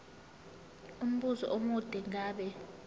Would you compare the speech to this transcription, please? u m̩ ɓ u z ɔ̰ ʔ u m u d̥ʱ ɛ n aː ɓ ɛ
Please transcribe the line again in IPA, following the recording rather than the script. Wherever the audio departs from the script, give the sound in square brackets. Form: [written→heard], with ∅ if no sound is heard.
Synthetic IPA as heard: u m̩ ɓ u z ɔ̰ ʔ [u→o] m u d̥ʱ ɛ [n→ŋ] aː ɓ ɛ

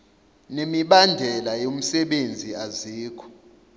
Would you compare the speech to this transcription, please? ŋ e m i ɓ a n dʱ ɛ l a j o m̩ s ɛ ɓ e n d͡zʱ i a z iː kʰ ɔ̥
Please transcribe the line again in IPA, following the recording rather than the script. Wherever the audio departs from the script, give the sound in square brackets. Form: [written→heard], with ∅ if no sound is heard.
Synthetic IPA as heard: [ŋ→n] e m i ɓ a n dʱ ɛ l a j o m̩ s ɛ ɓ e n d͡zʱ i a z iː kʰ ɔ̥

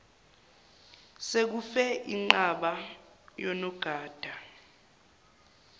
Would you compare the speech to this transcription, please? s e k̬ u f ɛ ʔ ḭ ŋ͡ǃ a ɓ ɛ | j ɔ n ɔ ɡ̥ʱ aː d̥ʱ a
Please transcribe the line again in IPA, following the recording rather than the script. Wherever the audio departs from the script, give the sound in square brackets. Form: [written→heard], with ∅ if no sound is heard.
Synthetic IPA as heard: s e k̬ u f ɛ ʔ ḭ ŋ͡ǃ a ɓ [ɛ→a] | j ɔ n ɔ ɡ̥ʱ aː d̥ʱ a

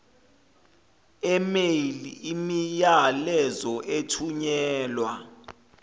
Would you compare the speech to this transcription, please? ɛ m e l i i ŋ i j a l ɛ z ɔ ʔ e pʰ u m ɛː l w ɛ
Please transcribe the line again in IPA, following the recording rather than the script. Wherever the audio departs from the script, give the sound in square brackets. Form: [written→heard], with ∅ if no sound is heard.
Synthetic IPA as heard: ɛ m e l i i [ŋ→m] i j a l ɛ z ɔ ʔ e [pʰ→tʰ] u [m→ɲ] ɛː l w [ɛ→a]

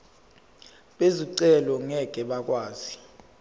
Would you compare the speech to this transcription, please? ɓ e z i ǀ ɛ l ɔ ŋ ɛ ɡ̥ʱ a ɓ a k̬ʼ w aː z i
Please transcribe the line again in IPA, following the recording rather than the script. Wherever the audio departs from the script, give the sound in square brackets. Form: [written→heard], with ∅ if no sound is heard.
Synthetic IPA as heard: ɓ e z i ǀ ɛ l ɔ ŋ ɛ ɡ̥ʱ [a→ɛ] ɓ a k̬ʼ w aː z i

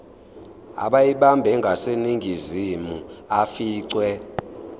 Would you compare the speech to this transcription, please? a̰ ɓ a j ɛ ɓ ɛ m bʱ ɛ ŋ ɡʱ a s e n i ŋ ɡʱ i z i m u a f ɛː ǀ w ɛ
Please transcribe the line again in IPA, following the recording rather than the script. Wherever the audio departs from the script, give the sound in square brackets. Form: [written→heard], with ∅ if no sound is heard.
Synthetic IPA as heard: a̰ ɓ a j [ɛ→i] ɓ [ɛ→a] m bʱ ɛ ŋ ɡʱ a s e n i ŋ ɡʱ i z i m u a f [ɛː→iː] ǀ w ɛ

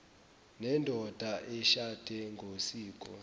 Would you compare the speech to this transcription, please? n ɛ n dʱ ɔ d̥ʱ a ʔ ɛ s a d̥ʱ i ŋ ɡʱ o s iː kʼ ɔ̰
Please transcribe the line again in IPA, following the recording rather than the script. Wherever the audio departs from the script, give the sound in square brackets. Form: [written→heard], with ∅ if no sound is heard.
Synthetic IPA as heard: n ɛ n dʱ ɔ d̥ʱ a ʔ ɛ [s→ʃ] a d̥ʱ [i→ɛ] ŋ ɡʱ o s iː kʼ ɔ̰

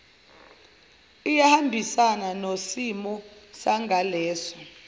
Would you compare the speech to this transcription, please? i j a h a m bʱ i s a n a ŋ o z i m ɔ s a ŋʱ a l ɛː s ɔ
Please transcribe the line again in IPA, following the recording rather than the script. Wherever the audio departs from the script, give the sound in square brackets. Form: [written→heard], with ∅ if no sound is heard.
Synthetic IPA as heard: i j a h a m bʱ i s a n a [ŋ→n] o [z→s] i m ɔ s a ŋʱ a l ɛː s ɔ

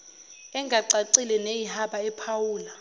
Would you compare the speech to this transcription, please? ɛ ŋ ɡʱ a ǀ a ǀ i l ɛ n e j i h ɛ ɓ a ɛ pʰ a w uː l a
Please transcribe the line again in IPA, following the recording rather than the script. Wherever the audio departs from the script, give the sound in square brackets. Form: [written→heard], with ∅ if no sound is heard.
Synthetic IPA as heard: ɛ ŋ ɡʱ a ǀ a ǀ i l ɛ n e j i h [ɛ→a] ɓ a ɛ pʰ a w uː l a

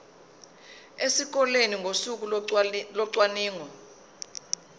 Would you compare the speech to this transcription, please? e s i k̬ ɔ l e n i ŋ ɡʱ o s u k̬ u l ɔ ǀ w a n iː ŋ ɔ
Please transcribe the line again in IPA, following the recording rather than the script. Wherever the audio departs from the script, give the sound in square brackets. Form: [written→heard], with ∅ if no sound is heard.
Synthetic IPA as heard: e s i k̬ ɔ l e n i ŋ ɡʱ o s u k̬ u l ɔ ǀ w a n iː ŋ ɔ

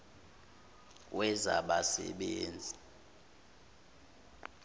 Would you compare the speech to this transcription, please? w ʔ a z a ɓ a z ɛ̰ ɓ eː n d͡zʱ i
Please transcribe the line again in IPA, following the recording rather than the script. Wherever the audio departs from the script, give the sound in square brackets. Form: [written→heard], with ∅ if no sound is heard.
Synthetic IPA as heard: w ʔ [a→ɛ] z a ɓ a [z→s] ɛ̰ ɓ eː n d͡zʱ i

